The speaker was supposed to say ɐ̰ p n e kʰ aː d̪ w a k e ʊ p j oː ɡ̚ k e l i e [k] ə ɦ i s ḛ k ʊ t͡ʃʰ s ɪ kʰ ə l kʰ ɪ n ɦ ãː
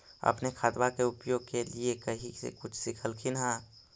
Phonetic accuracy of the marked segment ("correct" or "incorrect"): correct